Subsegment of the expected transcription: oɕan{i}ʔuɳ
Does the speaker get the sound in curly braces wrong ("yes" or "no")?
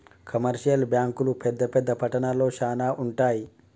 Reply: yes